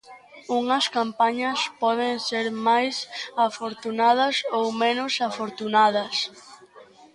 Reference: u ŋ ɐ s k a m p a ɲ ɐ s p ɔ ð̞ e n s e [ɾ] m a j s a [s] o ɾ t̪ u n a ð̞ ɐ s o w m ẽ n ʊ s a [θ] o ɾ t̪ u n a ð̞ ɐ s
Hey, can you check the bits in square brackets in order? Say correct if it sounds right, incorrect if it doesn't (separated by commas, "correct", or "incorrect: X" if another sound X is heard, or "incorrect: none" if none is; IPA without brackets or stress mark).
correct, incorrect: f, incorrect: f